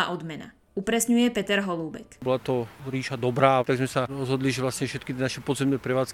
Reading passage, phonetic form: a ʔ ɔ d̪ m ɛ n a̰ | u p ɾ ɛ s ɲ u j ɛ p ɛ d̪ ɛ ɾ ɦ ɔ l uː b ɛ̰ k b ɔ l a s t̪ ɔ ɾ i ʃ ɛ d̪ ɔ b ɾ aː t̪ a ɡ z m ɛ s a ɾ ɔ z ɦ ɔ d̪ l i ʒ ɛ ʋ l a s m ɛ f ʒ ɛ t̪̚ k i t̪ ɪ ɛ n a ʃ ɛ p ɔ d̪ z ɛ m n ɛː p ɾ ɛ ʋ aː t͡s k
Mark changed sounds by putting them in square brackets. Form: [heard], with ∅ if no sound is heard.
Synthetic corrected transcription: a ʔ ɔ d̪ m ɛ n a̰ | u p ɾ ɛ s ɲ u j ɛ p ɛ [t̪] ɛ ɾ ɦ ɔ l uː b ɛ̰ k b ɔ l a [∅] t̪ ɔ ɾ [iː] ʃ [a] d̪ ɔ b ɾ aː t̪ a ɡ z m ɛ s a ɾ ɔ z ɦ ɔ d̪ l i ʒ ɛ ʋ l a s [ɲ] ɛ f [ʃ] ɛ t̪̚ k i t̪ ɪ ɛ n a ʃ ɛ p ɔ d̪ z ɛ m n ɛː p ɾ ɛ ʋ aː t͡s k